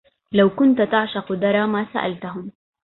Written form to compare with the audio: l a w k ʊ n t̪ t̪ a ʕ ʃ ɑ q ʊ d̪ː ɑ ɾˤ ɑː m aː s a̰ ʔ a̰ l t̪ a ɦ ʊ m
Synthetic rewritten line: l a w k ʊ n t̪ t̪ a ʕ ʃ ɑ q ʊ d̪ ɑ ɾˤ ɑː m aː s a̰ ʔ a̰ l t̪ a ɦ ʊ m